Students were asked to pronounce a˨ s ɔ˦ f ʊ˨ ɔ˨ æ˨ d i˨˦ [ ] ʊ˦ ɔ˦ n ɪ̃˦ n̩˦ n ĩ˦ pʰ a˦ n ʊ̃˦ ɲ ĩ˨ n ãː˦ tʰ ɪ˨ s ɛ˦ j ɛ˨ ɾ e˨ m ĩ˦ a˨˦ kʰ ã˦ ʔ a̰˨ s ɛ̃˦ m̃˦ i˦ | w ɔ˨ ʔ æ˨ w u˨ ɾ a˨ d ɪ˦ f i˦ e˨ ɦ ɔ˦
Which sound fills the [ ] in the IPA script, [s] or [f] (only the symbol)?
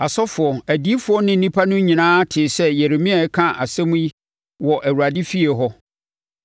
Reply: f